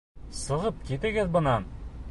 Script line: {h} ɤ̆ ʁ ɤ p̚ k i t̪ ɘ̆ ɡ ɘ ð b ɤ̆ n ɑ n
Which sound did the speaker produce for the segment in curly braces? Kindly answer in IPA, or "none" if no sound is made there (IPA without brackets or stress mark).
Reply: s